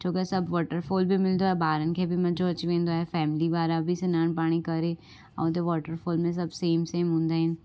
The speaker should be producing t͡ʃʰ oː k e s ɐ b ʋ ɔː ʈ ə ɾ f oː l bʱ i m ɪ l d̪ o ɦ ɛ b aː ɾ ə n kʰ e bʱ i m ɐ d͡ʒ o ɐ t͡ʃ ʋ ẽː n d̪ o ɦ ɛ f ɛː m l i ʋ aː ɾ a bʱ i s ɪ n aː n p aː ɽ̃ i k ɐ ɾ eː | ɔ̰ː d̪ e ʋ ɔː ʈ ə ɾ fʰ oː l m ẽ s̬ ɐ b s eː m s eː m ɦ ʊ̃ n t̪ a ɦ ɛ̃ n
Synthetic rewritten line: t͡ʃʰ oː k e s ɐ b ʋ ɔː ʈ ə ɾ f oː l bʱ i m ɪ l d̪ o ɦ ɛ b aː ɾ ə n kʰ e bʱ i m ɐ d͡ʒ o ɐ t͡ʃ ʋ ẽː n d̪ o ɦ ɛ f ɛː m l i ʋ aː ɾ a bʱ i s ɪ n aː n p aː ɽ̃ i k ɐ ɾ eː | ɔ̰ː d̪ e ʋ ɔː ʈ ə ɾ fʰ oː l m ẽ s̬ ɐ b s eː m s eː m ɦ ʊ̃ n d̪ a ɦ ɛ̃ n